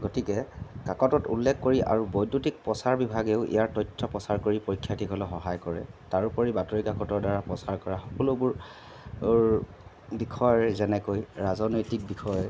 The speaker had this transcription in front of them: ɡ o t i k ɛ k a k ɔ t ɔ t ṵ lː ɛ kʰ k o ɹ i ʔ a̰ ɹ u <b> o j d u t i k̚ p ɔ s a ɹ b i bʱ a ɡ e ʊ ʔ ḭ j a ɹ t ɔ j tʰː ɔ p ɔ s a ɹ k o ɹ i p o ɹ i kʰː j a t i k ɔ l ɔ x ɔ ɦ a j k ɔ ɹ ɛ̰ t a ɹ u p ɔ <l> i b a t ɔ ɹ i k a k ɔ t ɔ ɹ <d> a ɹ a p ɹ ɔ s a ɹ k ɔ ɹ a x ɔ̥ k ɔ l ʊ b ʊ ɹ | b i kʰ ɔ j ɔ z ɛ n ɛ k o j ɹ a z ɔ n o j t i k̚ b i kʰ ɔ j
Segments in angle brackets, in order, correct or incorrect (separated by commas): correct, incorrect, correct